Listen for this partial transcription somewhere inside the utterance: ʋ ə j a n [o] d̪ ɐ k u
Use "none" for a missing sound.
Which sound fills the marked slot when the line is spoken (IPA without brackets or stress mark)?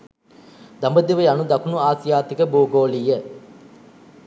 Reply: u